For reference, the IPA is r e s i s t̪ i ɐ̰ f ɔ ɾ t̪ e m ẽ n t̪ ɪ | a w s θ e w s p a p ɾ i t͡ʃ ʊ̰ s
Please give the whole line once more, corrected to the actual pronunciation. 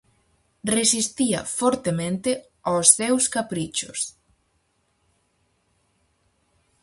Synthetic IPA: r e s i s t̪ i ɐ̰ f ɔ ɾ t̪ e m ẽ n t̪ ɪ | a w s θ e w s k a p ɾ i t͡ʃ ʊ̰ s